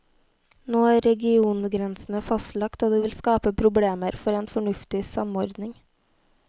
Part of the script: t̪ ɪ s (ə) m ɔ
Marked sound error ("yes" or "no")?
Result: yes